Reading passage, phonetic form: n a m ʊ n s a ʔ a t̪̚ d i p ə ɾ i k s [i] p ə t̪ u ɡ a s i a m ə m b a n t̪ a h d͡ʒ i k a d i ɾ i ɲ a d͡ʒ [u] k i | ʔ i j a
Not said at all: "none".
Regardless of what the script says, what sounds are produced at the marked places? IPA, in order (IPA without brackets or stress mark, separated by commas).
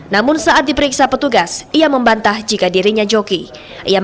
a, o